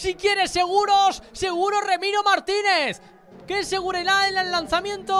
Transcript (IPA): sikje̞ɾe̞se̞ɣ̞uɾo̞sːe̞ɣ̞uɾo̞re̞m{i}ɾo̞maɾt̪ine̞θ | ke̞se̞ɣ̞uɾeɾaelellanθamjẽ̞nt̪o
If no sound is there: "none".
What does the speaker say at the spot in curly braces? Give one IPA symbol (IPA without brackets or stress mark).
i